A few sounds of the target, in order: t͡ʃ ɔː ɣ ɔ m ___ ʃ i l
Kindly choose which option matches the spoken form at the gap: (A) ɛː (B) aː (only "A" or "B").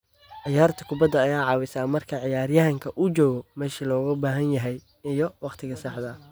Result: A